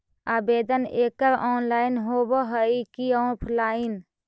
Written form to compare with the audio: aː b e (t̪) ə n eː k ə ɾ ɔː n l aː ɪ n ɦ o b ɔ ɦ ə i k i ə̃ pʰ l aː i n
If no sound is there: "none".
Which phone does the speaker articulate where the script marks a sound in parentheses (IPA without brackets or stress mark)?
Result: d̪